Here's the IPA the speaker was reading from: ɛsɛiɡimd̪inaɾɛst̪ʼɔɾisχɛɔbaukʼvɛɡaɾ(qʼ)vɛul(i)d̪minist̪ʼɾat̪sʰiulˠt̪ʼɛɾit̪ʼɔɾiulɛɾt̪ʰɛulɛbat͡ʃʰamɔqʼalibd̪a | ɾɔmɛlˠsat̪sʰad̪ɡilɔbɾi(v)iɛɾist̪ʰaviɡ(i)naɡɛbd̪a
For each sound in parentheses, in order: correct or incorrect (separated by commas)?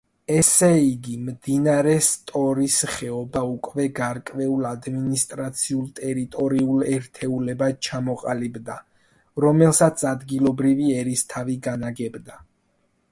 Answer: incorrect, incorrect, correct, incorrect